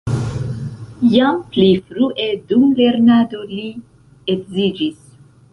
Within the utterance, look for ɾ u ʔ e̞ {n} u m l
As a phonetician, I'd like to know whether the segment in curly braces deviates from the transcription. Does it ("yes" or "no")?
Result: yes